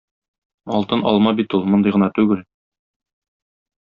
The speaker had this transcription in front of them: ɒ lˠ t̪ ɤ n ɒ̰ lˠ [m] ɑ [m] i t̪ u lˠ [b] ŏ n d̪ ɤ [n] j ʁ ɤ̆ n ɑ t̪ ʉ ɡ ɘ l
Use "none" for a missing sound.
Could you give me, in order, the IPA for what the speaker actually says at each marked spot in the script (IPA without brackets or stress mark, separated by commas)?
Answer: m, b, m, none